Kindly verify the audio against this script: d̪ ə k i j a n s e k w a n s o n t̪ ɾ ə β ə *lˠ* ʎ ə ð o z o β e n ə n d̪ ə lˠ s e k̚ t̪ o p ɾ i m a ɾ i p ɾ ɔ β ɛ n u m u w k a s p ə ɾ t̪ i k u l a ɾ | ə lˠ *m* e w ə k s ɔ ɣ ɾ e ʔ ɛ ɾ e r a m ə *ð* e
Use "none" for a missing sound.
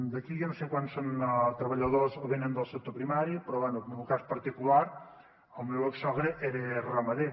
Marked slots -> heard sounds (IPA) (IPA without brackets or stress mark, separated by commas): none, m, ð